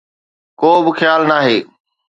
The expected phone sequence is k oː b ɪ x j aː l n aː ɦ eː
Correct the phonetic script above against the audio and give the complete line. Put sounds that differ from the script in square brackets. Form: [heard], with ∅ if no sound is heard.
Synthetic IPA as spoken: k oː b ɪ x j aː l n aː ɦ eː